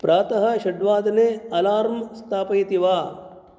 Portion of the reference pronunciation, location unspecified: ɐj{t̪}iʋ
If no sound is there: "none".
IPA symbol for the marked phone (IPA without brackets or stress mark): t̪